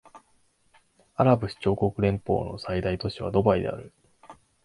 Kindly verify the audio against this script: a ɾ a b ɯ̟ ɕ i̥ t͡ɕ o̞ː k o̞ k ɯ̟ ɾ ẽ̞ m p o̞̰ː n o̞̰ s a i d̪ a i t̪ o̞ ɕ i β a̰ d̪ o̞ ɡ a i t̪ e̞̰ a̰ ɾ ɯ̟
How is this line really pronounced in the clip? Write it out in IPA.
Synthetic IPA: a ɾ a b ɯ̟ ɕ i̥ t͡ɕ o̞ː k o̞ k ɯ̟ ɾ ẽ̞ m p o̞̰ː n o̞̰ s a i d̪ a i t̪ o̞ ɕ i β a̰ d̪ o̞ b a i d̪ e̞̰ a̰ ɾ ɯ̟